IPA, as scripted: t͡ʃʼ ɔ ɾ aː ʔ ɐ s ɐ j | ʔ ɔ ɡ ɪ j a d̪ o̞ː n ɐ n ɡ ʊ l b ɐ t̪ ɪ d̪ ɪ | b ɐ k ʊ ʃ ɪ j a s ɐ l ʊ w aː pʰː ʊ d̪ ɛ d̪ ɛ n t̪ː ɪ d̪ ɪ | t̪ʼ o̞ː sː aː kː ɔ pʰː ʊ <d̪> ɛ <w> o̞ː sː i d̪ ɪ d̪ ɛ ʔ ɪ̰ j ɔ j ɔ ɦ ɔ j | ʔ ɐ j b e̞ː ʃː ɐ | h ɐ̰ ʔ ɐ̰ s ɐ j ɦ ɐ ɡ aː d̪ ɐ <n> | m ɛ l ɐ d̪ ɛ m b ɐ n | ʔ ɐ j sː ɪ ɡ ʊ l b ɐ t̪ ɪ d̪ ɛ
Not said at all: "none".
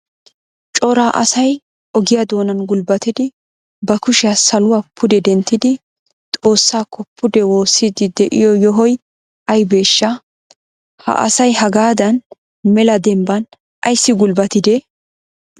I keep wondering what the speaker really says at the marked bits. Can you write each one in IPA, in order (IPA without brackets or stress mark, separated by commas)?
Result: d̪, w, n